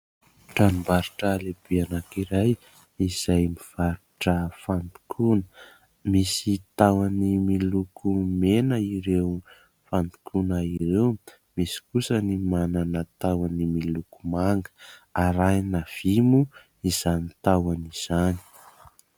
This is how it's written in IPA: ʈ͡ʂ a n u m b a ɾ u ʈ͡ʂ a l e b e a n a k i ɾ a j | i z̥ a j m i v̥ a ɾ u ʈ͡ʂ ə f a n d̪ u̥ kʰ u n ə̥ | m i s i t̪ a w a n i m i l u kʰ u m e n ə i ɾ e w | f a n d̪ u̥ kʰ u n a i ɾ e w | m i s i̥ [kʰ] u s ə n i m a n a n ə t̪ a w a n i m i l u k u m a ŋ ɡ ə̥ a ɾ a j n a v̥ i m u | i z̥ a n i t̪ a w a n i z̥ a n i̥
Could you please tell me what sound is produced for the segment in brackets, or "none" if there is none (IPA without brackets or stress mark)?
k